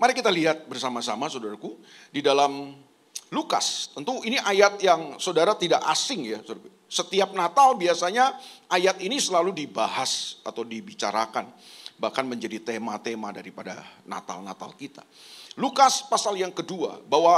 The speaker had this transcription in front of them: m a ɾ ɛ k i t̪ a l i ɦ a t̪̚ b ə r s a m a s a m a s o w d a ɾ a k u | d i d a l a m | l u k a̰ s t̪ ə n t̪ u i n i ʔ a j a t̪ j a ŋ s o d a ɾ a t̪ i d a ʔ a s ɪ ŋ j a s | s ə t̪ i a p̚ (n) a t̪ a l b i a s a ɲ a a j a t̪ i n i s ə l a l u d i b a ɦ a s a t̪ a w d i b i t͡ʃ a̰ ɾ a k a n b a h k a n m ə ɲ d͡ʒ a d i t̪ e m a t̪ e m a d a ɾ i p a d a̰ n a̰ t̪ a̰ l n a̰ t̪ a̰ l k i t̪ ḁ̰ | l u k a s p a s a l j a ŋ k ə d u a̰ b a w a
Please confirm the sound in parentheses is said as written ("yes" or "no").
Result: yes